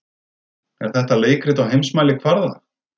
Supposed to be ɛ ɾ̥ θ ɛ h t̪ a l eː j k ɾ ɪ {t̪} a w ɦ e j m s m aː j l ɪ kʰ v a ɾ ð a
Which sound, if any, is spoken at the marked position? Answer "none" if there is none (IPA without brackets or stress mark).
t̪